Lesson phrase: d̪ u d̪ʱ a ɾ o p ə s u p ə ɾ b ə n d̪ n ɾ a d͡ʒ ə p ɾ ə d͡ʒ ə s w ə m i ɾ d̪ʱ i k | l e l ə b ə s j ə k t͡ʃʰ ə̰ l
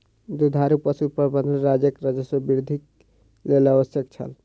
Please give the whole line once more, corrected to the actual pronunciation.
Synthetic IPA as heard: d̪ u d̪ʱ a ɾ u p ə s u p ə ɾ b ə n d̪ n ɾ a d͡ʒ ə k ɾ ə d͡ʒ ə s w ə b i ɾ d̪ʱ i k | l e l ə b ə s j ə k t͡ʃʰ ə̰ l

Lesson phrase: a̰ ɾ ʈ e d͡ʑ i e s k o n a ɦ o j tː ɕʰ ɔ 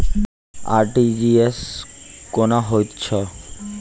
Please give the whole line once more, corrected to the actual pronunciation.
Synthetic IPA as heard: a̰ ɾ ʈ i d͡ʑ i e s k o n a ɦ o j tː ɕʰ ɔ

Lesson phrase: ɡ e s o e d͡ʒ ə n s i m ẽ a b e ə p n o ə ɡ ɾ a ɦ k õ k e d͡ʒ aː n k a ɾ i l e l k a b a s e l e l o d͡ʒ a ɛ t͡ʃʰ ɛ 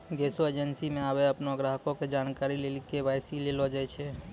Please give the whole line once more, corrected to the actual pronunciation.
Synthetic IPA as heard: ɡ e s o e d͡ʒ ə n s i m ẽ a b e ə p n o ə ɡ ɾ a ɦ k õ k e d͡ʒ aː n k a ɾ i l e l k e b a s i l e l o d͡ʒ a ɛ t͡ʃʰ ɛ

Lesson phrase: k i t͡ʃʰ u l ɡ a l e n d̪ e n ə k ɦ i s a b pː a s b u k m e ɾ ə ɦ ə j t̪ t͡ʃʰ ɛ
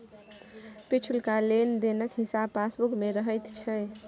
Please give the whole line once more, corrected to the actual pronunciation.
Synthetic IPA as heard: p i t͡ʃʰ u l k a l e n d̪ e n ə k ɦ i s a b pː a s b u k m e ɾ ə ɦ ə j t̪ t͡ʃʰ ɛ

